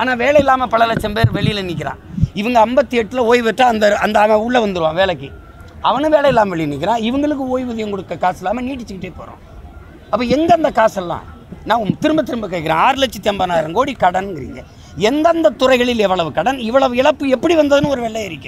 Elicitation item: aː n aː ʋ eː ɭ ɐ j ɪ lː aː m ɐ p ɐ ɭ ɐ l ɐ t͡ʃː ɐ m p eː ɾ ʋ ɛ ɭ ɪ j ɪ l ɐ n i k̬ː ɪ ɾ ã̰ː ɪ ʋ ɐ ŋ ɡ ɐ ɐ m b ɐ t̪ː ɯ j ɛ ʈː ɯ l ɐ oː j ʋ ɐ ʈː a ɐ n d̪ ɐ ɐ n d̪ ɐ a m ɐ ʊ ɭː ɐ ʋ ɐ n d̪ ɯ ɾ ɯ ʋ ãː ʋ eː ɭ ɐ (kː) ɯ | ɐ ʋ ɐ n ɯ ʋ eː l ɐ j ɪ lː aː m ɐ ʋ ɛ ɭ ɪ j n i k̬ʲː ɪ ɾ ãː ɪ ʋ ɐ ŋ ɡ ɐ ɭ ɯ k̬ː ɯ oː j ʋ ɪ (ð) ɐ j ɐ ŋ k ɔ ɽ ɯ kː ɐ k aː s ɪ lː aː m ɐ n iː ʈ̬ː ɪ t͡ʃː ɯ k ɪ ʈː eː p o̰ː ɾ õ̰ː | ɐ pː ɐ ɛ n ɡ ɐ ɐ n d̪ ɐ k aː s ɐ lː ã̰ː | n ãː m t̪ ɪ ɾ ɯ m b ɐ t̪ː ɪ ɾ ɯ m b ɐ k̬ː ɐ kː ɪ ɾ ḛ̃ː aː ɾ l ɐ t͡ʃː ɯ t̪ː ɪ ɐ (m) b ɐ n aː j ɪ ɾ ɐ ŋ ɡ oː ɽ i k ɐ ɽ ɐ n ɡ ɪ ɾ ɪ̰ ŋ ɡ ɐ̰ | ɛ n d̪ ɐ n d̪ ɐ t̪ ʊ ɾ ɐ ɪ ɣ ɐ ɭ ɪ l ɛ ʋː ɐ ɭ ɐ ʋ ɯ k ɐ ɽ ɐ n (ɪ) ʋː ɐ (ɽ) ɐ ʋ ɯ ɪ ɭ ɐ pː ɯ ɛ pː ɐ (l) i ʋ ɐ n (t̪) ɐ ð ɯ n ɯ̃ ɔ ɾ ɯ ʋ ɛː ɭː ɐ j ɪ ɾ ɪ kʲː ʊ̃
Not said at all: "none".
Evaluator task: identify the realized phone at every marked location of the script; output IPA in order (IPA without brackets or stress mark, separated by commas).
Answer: kː, ð, m, ɪ, ɭ, ɽ, d̪